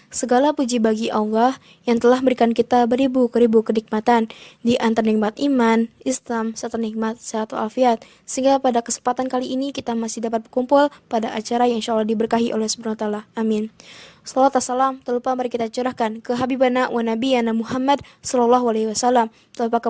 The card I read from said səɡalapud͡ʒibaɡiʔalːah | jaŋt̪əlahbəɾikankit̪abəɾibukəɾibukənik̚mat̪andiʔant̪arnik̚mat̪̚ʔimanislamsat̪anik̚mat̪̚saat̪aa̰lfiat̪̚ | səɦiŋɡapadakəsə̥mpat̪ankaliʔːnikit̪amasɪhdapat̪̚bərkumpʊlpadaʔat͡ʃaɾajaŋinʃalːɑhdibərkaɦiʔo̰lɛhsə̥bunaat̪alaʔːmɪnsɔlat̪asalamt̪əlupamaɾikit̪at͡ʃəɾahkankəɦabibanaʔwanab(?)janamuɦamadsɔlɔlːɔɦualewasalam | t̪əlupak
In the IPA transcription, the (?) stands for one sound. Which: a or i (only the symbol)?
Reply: i